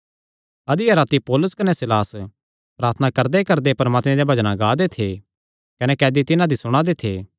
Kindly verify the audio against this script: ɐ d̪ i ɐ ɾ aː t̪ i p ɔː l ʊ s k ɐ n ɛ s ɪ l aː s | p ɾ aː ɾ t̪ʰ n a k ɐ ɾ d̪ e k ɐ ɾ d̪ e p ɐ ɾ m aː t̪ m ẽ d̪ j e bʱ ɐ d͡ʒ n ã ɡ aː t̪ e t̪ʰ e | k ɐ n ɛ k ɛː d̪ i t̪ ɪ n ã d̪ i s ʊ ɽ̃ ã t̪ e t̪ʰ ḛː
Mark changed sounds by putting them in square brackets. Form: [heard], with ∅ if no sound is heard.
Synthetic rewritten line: ɐ d̪ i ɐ ɾ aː t̪ i p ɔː l ʊ s k ɐ n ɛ s ɪ l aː s | p ɾ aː ɾ t̪ʰ n a k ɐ ɾ d̪ e k ɐ ɾ d̪ e p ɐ ɾ m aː t̪ m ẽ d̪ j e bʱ ɐ d͡ʒ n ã ɡ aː [d̪] e t̪ʰ e | k ɐ n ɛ k ɛː d̪ i t̪ ɪ n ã d̪ i s ʊ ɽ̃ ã [d̪] e t̪ʰ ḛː

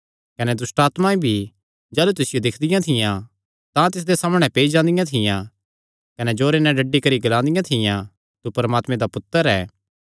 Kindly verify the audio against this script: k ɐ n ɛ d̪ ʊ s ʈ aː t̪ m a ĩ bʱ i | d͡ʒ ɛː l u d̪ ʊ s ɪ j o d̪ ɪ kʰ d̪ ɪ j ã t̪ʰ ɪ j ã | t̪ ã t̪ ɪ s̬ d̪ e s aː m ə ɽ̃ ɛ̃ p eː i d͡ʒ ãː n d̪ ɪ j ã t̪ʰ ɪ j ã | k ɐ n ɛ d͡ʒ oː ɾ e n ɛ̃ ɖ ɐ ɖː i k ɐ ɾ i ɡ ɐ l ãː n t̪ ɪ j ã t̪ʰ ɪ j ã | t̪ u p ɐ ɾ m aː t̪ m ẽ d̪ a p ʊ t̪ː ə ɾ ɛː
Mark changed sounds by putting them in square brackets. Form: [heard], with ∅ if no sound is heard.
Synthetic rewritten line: k ɐ n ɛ d̪ ʊ s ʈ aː t̪ m a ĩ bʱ i | d͡ʒ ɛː l u [t̪] ʊ s ɪ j o d̪ ɪ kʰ d̪ ɪ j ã t̪ʰ ɪ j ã | t̪ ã t̪ ɪ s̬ d̪ e s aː m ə ɽ̃ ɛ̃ p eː i d͡ʒ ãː n d̪ ɪ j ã t̪ʰ ɪ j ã | k ɐ n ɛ d͡ʒ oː ɾ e n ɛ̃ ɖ ɐ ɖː i k ɐ ɾ i ɡ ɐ l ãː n [d̪] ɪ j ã t̪ʰ ɪ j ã | t̪ u p ɐ ɾ m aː t̪ m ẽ d̪ a p ʊ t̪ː ə ɾ ɛː

